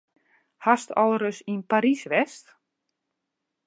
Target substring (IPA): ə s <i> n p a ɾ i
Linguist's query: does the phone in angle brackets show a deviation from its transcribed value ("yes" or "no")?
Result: no